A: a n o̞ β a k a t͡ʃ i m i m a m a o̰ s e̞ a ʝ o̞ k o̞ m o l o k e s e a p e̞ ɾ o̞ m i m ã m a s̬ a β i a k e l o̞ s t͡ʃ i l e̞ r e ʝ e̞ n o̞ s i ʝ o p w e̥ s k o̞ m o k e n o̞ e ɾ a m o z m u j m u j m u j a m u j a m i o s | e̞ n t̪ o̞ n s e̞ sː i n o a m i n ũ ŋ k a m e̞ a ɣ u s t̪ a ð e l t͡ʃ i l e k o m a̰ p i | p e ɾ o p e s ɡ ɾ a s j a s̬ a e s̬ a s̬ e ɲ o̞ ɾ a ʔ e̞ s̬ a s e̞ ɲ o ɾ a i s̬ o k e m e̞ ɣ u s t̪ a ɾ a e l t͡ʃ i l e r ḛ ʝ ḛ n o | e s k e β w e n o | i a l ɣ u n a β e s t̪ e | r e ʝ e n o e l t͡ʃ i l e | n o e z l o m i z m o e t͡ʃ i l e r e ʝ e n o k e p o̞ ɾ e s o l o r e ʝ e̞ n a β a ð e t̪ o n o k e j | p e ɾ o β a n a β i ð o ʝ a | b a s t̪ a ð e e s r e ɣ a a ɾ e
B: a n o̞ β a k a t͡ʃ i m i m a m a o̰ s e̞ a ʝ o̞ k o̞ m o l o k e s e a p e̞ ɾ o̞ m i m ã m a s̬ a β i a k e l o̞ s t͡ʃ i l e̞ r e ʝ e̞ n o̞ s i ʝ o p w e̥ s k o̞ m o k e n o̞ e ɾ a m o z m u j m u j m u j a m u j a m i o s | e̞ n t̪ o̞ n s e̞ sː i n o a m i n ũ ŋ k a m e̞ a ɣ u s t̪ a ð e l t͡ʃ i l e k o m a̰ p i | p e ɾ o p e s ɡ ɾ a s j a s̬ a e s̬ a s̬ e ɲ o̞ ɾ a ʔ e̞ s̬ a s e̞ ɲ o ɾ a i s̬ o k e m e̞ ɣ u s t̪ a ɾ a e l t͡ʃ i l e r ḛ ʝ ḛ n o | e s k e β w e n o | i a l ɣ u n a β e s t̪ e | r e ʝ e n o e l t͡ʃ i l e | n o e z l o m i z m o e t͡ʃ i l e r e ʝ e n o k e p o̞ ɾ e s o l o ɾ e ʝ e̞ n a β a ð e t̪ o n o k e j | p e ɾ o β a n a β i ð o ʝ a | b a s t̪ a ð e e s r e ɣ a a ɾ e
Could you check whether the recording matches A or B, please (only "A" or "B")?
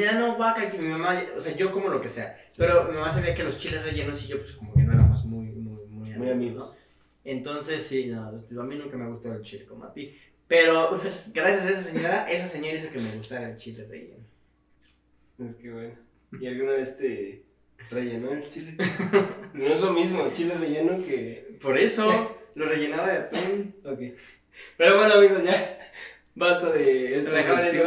A